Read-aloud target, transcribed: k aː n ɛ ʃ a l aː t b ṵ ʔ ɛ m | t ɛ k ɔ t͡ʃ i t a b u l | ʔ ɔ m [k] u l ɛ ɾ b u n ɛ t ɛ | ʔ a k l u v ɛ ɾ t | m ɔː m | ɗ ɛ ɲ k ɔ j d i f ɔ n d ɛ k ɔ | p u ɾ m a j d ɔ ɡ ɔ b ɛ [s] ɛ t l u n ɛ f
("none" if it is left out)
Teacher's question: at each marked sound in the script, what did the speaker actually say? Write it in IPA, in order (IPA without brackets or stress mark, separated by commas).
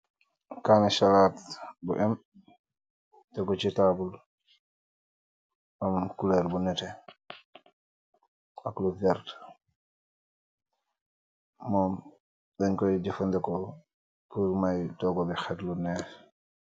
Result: k, x